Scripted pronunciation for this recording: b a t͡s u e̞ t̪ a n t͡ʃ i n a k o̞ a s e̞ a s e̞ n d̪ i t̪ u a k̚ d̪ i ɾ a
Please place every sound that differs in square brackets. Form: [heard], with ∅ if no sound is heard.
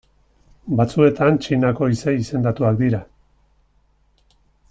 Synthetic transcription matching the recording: b a t͡s u e̞ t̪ a n t͡ʃ i n a k o̞ [i] s e̞ [i] s e̞ n d̪ [a] t̪ u a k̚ d̪ i ɾ a